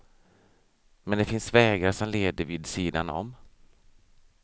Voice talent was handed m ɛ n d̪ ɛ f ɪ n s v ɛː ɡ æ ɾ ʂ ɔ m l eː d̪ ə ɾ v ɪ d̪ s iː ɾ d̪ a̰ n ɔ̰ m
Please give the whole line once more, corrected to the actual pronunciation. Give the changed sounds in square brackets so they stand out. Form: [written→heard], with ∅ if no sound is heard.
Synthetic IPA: m ɛ n d̪ ɛ f ɪ n s v ɛː ɡ [æ→a] ɾ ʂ ɔ m l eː d̪ ə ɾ v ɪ d̪ s iː [ɾ→∅] d̪ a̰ n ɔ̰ m